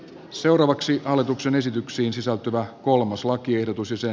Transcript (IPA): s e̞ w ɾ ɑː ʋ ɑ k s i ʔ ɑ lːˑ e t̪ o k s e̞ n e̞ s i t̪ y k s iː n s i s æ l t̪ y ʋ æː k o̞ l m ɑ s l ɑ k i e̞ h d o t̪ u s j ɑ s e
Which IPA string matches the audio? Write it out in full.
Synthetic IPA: s e̞ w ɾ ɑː ʋ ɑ k s i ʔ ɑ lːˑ e t̪ u k s e̞ n e̞ s i t̪ y k s iː n s i s æ l t̪ y ʋ æ k o̞ l m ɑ s l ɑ k i e̞ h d o t̪ u s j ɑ s e